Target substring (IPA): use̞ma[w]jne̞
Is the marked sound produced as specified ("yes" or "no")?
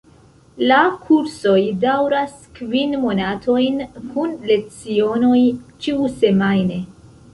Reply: no